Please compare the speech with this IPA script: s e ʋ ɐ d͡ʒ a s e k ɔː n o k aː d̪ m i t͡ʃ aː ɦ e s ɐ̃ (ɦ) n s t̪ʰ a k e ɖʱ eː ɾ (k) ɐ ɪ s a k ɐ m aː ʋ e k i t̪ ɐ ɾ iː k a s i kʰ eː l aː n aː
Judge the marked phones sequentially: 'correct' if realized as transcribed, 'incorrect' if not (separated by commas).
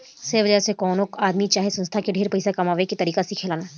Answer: incorrect, incorrect